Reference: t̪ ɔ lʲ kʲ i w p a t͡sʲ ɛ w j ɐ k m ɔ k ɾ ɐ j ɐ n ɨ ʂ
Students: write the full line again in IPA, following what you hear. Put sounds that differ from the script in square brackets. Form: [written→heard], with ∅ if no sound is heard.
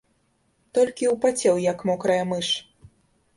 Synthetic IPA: t̪ ɔ lʲ kʲ i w p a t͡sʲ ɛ w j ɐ k m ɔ k ɾ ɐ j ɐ [n→m] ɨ ʂ